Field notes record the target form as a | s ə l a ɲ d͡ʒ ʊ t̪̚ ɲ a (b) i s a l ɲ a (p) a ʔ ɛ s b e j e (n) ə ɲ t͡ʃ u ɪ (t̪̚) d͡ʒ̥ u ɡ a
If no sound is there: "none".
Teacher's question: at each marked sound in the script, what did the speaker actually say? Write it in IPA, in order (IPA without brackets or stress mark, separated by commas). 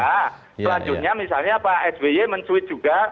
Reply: m, p, m, t̪̚